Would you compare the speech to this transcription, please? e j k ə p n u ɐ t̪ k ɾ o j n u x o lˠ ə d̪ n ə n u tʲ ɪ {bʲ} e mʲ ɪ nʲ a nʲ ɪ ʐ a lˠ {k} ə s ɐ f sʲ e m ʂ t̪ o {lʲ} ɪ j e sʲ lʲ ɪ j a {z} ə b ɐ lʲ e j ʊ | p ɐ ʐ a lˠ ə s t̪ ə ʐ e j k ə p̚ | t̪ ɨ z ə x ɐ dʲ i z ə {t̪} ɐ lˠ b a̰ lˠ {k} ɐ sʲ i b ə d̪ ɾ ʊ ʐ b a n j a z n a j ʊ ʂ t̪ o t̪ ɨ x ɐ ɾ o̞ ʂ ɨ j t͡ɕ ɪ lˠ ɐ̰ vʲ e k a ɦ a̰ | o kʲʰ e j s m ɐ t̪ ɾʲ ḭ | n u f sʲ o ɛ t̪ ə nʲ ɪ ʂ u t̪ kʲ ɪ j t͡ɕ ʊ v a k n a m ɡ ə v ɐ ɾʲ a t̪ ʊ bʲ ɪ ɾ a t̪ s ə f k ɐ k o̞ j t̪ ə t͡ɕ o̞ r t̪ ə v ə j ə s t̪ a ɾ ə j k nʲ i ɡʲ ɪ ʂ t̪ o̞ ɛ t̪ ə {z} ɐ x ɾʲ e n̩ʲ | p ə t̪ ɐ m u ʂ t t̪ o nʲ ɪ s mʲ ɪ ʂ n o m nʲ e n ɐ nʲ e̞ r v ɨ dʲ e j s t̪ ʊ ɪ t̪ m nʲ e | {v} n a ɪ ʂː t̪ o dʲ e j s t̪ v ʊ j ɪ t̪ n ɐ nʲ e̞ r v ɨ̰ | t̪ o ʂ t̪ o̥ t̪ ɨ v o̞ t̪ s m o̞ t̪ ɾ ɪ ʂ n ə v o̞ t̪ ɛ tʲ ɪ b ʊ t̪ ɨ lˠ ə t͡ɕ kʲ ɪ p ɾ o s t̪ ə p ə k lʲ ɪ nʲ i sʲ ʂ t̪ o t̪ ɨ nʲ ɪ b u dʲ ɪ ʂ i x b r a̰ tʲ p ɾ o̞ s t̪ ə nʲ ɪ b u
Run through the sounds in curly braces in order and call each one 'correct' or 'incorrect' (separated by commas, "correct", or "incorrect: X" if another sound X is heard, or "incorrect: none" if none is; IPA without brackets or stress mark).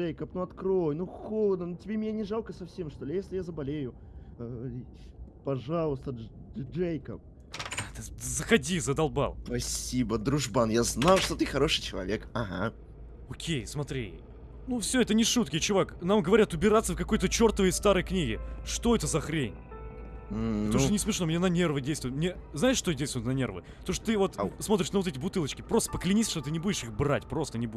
correct, correct, correct, correct, incorrect: d̪, incorrect: p, correct, incorrect: z